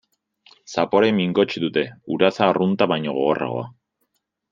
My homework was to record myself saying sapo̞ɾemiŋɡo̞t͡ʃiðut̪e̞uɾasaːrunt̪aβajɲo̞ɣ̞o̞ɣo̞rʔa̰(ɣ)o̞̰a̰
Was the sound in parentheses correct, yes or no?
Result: yes